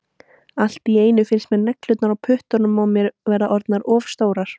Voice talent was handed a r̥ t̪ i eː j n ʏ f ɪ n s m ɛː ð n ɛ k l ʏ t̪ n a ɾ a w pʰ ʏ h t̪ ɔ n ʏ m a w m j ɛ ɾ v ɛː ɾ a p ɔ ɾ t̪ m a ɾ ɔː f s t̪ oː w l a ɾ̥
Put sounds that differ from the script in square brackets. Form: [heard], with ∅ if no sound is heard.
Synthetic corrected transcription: a [l̥] t̪ i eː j n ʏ f ɪ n s m [ɛ] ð n ɛ k l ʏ t̪ n a ɾ a w pʰ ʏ h t̪ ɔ n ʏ m a w m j ɛ ɾ v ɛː ɾ a [ʔ] ɔ ɾ t̪ [n] a ɾ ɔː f s t̪ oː w [ɾ] a ɾ̥